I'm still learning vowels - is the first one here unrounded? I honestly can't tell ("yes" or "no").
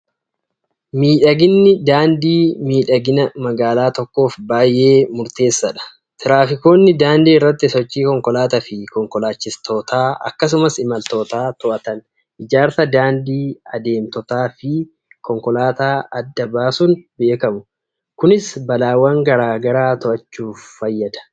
yes